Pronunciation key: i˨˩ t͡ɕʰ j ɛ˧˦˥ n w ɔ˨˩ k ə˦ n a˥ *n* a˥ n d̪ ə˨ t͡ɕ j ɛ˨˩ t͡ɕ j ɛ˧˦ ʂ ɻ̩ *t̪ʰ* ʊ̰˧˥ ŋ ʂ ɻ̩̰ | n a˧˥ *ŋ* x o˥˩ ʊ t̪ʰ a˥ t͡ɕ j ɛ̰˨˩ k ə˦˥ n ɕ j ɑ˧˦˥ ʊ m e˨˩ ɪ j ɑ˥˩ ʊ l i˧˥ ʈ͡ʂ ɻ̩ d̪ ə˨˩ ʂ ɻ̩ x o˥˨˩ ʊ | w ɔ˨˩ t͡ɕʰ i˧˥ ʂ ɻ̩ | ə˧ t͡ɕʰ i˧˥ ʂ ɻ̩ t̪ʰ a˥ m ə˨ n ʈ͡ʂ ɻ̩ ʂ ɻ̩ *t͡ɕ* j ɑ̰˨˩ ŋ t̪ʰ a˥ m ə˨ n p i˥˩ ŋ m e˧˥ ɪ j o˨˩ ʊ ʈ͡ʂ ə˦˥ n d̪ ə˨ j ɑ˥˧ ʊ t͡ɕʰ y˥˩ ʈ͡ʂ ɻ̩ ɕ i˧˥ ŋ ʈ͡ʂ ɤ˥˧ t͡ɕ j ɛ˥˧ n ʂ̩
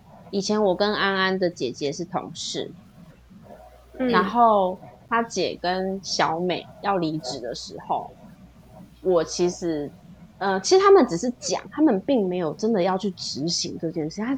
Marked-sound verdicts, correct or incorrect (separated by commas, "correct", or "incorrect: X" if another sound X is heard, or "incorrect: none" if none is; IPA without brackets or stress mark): correct, correct, incorrect: n, correct